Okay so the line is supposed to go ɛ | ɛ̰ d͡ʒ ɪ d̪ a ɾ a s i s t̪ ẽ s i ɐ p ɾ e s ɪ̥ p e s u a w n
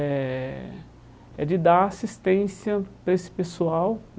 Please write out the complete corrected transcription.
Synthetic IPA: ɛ | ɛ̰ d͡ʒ ɪ d̪ a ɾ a s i s t̪ ẽ s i ɐ p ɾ e s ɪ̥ p e s u a w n